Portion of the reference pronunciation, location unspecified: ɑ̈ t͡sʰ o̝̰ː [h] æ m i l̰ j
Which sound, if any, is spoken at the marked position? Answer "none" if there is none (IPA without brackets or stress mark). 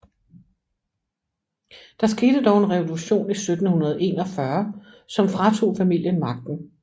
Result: f